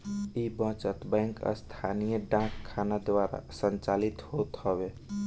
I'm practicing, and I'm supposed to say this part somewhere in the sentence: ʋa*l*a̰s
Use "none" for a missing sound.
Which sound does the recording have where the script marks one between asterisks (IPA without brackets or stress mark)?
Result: ɾ